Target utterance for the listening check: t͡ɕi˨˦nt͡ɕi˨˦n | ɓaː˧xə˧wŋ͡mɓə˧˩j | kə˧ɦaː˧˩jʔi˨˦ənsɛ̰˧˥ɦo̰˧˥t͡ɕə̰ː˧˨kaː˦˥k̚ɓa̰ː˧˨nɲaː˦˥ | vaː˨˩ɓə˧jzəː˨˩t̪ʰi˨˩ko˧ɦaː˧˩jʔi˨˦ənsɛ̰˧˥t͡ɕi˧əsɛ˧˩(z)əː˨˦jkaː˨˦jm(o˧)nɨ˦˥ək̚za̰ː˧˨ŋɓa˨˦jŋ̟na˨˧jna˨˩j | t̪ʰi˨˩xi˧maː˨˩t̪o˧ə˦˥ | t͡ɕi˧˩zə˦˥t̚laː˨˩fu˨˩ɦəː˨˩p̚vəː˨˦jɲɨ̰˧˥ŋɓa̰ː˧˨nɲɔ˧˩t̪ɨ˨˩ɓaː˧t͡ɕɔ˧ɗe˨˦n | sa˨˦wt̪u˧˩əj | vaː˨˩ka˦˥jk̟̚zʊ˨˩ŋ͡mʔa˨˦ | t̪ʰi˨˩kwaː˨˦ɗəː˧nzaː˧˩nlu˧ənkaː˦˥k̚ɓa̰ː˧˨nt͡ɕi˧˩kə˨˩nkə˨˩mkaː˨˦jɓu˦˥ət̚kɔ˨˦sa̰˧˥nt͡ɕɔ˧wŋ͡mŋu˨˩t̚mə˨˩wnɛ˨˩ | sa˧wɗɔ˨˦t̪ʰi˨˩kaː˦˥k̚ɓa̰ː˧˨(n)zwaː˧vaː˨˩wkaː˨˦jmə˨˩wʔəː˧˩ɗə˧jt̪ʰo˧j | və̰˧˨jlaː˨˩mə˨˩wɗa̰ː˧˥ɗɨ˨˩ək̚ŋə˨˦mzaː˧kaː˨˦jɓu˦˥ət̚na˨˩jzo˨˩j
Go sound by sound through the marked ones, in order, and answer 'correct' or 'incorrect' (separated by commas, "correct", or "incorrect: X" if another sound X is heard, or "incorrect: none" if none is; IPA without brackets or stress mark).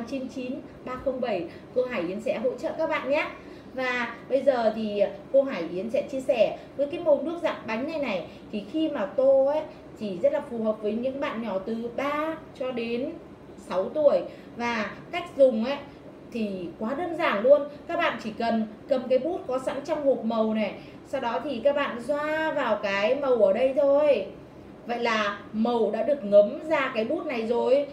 incorrect: v, incorrect: o˨˩, correct